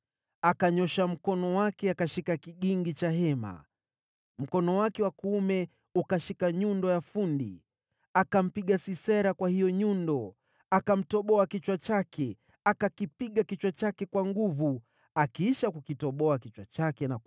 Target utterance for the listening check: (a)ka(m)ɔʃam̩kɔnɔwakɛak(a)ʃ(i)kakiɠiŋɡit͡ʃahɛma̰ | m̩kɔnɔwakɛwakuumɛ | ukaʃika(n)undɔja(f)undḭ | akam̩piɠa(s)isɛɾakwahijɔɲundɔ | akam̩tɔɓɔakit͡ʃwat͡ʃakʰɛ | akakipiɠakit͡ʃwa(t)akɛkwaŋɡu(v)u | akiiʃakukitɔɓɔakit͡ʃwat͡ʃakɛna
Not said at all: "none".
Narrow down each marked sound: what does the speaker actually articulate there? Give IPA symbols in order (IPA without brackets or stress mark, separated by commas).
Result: a, ɲ, a, i, ɲ, f, s, t͡ʃ, v